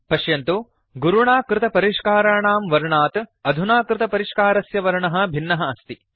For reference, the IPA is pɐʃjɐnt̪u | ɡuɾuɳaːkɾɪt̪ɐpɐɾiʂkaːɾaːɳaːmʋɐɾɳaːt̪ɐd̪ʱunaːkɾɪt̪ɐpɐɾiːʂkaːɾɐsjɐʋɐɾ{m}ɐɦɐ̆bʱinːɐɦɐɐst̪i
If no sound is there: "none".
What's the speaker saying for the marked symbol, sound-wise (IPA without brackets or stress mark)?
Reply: ɳ